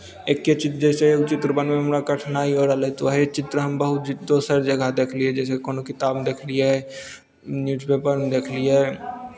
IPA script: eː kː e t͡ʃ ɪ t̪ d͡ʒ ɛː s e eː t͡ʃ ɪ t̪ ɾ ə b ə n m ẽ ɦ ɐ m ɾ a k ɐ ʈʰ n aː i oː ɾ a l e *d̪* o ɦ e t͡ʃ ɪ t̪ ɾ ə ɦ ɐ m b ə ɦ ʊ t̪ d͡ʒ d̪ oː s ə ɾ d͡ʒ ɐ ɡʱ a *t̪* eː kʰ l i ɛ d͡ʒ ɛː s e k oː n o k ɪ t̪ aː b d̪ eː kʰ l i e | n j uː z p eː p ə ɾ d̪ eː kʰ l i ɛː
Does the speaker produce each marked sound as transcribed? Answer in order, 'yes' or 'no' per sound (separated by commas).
no, no